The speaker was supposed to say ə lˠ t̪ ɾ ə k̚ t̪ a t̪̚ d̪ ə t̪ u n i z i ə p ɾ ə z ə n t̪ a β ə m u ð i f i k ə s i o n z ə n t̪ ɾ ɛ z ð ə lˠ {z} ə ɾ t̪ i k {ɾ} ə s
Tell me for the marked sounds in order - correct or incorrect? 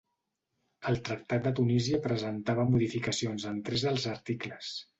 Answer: correct, incorrect: l

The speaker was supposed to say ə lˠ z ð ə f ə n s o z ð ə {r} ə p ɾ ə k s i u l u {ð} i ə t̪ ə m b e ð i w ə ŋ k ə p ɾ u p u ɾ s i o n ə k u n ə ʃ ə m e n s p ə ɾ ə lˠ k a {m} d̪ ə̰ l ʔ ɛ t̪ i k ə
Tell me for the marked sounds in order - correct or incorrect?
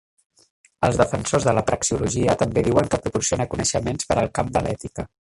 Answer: incorrect: l, incorrect: ʒ, correct

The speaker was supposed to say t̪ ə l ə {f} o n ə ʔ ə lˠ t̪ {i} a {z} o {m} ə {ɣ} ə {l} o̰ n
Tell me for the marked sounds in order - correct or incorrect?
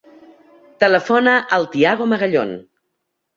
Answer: correct, correct, incorrect: ɣ, correct, correct, incorrect: ʎ

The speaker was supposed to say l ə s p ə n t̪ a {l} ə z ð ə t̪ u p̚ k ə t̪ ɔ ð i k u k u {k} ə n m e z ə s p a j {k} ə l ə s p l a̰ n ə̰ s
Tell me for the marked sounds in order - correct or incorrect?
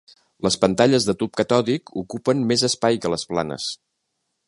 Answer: incorrect: ʎ, incorrect: p, correct

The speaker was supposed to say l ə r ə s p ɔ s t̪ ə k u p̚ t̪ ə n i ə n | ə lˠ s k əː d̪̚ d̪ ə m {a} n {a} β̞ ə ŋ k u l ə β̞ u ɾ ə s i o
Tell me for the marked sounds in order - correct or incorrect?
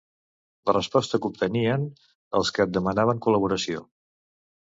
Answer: incorrect: ə, correct

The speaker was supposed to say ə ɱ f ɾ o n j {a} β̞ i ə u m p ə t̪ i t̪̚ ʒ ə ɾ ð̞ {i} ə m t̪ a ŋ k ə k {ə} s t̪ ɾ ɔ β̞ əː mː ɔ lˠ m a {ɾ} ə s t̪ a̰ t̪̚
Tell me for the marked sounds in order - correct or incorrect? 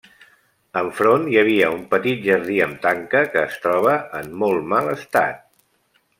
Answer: incorrect: ə, correct, incorrect: əː, incorrect: l

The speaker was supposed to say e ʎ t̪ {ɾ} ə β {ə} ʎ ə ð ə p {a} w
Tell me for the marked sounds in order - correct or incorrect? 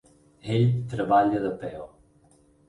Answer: correct, incorrect: a, incorrect: ɛ

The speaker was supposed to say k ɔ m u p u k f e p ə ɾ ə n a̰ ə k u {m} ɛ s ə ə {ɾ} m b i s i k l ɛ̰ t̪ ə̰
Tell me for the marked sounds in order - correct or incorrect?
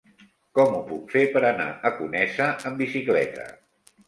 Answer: incorrect: n, incorrect: none

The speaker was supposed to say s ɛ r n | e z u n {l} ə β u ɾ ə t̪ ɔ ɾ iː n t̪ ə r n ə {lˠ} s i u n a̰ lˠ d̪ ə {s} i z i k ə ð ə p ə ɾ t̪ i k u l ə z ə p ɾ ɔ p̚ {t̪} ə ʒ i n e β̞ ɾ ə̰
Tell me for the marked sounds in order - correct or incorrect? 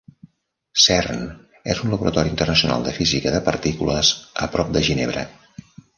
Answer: correct, incorrect: none, incorrect: f, incorrect: d̪

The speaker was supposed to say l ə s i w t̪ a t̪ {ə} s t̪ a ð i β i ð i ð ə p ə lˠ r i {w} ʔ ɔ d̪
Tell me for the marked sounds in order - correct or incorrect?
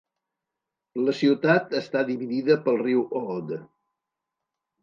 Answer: correct, correct

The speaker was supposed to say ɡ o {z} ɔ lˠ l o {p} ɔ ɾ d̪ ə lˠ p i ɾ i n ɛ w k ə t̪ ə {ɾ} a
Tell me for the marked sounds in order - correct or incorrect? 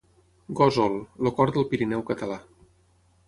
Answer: correct, incorrect: k, incorrect: l

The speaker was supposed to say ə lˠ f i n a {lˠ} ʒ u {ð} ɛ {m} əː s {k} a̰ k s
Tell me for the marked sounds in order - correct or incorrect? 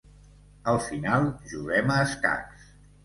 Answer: correct, incorrect: ɣ, correct, correct

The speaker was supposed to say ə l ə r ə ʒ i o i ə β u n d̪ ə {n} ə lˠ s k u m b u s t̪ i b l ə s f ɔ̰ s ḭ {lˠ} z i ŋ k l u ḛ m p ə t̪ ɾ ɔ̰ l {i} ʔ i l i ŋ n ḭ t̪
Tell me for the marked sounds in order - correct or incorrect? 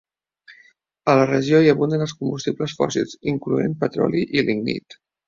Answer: correct, correct, correct

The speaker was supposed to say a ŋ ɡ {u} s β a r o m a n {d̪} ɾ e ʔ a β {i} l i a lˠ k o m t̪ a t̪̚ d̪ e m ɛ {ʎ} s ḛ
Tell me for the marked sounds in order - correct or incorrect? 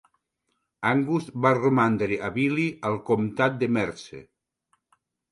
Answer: correct, correct, correct, incorrect: ɾ

